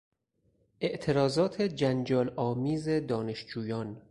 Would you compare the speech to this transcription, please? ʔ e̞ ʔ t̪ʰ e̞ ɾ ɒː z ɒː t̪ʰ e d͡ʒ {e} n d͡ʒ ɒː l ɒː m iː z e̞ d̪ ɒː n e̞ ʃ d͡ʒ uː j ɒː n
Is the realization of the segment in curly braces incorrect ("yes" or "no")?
yes